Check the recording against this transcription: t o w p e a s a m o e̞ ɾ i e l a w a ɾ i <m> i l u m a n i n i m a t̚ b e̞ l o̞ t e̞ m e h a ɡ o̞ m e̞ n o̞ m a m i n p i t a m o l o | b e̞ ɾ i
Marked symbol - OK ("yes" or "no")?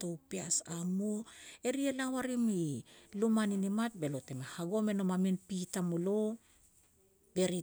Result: yes